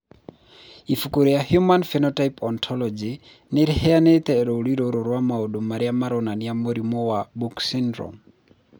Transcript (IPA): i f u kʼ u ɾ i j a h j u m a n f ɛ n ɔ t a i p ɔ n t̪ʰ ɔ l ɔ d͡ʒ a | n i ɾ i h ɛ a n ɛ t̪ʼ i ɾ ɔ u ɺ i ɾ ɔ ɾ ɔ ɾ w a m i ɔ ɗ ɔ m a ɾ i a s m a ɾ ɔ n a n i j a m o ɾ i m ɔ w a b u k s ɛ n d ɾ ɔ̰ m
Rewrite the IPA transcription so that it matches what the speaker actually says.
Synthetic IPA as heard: i f u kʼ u ɾ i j a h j u m a n f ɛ n ɔ t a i p ɔ n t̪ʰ ɔ l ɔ d͡ʒ i | n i ɾ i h ɛ a n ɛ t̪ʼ ɛ ɾ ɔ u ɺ i ɾ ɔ ɾ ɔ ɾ w a m a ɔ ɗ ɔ m a ɾ i a m a ɾ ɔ n a n i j a m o ɾ i m ɔ w a b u k s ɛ n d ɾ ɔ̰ m